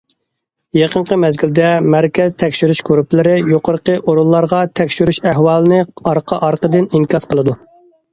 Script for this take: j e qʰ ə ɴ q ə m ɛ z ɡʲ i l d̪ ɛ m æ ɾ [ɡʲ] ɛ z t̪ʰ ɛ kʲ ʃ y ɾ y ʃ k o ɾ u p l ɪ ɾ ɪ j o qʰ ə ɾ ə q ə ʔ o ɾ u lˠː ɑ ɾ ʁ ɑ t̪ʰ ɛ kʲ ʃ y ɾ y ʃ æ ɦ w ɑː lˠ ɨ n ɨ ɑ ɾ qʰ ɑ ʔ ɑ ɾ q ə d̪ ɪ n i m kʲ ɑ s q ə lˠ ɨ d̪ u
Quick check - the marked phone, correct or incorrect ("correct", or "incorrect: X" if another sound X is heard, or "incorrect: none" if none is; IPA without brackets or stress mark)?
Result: incorrect: kʲ